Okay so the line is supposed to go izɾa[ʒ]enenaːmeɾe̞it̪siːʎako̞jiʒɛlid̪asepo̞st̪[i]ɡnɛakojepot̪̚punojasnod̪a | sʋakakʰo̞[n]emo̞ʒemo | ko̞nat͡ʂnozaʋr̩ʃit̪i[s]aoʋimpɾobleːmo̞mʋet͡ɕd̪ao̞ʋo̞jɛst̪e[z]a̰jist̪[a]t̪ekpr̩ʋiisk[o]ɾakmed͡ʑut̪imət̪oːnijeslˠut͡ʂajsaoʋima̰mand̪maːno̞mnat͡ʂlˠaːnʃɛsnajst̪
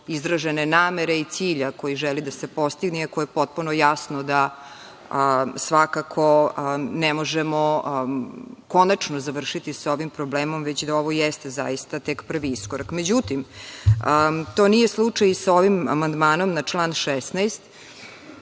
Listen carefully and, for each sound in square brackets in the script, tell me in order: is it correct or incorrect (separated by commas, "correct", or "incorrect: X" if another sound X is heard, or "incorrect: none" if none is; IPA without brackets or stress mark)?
correct, correct, correct, correct, correct, correct, correct